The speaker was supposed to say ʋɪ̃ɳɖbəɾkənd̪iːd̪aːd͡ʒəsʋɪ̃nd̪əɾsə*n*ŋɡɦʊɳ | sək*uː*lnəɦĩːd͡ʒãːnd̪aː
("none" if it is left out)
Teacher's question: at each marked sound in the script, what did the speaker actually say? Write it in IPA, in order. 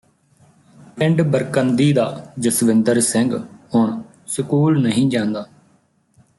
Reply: none, uː

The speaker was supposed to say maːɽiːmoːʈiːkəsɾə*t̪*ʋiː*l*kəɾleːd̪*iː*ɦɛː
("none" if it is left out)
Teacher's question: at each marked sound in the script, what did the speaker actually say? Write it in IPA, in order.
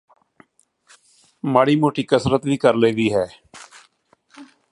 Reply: t̪, none, iː

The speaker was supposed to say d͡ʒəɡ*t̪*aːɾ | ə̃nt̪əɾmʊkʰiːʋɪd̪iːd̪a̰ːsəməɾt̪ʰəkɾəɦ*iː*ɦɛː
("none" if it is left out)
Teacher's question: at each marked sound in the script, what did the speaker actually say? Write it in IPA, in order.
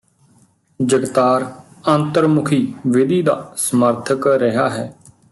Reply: t̪, aː

